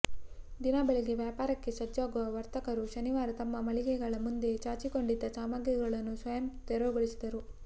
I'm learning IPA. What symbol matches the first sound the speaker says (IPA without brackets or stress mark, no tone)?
d̪